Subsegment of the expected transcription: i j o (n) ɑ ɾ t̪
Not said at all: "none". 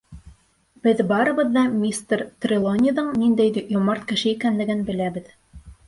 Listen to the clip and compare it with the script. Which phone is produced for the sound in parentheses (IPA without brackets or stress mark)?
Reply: m